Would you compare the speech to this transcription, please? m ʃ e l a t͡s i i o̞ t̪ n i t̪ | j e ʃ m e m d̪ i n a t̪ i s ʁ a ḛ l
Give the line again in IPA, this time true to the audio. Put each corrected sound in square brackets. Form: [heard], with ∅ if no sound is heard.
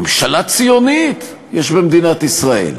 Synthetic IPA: m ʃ [a] l a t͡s i [j] o̞ [∅] n i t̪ | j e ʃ [b] e m d̪ i n a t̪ i s ʁ a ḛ l